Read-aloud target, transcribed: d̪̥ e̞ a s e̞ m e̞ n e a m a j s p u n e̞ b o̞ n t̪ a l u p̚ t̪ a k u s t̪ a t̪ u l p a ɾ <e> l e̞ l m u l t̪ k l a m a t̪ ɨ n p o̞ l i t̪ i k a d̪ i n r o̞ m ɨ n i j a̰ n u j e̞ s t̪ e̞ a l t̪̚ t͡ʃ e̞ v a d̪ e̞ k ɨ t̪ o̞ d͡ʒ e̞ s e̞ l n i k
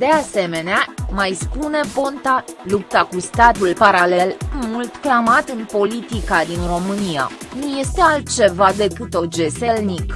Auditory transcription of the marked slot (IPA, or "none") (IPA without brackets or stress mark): a